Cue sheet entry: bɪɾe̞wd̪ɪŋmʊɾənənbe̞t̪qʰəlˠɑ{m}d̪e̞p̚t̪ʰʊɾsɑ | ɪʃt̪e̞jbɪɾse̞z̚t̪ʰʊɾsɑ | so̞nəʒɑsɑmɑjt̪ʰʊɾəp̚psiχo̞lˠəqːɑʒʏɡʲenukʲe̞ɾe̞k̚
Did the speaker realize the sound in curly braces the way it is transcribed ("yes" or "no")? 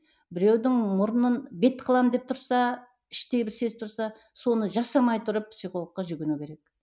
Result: yes